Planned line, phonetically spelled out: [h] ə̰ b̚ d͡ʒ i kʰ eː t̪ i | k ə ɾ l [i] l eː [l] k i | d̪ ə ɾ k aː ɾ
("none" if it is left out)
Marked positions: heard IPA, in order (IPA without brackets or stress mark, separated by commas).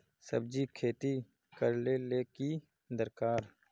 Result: s, e, none